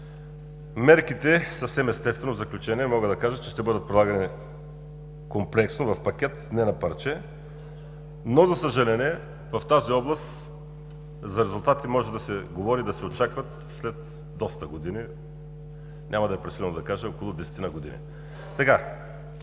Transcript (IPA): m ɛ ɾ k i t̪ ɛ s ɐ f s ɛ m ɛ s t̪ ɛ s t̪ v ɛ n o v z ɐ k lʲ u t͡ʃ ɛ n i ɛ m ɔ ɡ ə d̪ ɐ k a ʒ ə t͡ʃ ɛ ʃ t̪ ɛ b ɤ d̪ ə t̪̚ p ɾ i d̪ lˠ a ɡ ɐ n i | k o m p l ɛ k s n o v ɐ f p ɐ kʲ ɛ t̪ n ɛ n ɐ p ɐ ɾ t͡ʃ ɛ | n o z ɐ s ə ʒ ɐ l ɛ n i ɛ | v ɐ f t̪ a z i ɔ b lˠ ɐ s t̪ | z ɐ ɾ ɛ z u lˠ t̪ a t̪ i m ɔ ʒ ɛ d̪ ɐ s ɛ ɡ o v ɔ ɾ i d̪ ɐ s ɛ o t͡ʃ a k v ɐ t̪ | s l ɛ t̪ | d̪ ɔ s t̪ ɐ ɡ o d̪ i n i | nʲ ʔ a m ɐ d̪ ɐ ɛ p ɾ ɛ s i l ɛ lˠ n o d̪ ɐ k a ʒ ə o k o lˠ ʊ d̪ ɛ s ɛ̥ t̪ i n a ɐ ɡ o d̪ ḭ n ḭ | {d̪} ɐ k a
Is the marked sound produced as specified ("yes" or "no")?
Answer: no